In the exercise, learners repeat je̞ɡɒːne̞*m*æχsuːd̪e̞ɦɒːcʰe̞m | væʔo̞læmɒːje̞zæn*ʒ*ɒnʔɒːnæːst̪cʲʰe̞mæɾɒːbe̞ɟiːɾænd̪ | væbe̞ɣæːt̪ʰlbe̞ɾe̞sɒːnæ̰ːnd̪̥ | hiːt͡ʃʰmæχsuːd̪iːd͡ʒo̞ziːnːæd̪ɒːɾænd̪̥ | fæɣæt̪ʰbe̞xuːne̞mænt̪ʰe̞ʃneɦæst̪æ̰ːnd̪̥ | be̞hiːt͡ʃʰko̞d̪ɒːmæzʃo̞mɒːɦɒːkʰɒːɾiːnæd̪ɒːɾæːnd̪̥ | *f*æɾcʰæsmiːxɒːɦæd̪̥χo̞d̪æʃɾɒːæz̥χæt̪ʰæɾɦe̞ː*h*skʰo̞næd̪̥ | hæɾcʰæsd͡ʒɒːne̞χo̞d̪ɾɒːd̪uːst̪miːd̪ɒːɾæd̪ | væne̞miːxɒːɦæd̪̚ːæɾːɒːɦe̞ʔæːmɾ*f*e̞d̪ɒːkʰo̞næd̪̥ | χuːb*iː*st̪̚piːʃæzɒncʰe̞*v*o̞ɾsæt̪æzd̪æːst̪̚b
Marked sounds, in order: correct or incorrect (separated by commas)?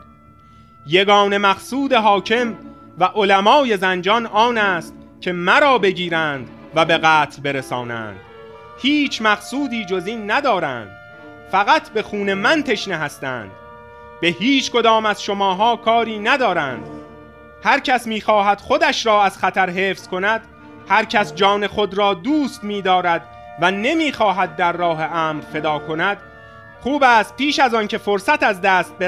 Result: correct, incorrect, incorrect, incorrect, correct, incorrect, incorrect